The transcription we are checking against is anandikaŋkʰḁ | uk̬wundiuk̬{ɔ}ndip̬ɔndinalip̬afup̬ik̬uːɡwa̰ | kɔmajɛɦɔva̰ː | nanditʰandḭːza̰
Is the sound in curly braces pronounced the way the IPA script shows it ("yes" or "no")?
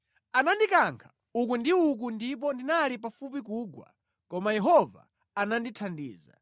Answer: no